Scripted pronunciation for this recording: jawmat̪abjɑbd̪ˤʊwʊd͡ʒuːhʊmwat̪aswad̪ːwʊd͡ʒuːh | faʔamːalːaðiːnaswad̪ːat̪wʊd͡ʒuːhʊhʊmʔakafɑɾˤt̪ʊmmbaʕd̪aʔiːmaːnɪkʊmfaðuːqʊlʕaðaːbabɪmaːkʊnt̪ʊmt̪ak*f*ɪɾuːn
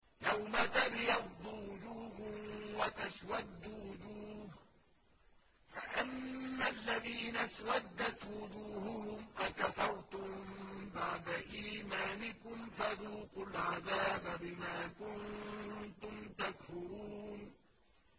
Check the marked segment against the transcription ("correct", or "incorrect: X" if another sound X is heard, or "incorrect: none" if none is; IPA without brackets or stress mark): correct